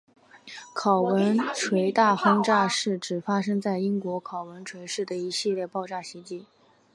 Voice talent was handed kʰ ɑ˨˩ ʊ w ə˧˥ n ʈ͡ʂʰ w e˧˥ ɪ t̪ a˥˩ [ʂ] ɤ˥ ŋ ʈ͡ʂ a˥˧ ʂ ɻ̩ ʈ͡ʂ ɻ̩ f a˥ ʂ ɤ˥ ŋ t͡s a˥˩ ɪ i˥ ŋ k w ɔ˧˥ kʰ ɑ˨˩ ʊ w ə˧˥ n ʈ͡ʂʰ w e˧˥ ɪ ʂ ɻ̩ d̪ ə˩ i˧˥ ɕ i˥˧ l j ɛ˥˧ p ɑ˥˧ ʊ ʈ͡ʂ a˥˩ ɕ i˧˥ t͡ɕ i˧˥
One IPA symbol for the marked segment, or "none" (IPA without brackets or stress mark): x